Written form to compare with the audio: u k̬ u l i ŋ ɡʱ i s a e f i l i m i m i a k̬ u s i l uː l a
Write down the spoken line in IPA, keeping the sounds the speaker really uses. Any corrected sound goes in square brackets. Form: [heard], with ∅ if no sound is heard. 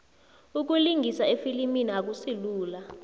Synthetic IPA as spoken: u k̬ u l i ŋ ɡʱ i s a e f i l i m i [n] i a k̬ u s i l uː l a